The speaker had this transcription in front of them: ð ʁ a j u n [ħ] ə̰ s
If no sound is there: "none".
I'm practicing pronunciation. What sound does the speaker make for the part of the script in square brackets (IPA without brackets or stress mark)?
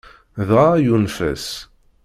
f